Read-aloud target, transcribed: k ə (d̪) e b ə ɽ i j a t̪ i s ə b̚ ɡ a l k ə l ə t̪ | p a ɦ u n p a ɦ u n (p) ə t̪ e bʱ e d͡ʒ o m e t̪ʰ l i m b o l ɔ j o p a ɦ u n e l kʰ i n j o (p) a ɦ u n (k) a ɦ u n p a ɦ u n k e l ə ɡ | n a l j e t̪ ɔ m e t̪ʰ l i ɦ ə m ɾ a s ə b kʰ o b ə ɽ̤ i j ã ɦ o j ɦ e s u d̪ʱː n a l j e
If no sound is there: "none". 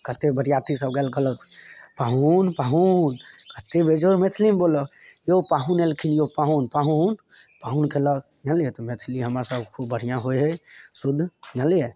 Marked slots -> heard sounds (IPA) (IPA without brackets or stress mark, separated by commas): t̪, k, p, p